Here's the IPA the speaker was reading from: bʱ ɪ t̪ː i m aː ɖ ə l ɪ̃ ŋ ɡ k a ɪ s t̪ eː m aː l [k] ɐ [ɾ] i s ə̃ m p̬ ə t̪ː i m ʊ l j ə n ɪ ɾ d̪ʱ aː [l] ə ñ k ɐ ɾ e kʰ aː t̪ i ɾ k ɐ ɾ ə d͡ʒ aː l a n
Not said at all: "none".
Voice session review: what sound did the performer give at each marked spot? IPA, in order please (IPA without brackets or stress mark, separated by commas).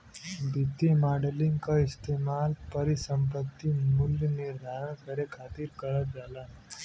p, ɾ, ɾ